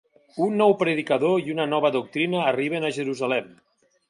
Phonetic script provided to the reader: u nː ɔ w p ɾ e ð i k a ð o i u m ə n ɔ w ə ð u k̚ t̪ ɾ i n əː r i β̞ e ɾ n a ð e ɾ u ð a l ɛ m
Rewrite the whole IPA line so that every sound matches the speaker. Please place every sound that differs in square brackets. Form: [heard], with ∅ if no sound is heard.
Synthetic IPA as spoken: u nː ɔ w p ɾ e ð i k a ð o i u [n] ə n ɔ [β] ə ð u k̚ t̪ ɾ i n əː r i β̞ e [∅] n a [ʒ] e ɾ u [z] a l ɛ m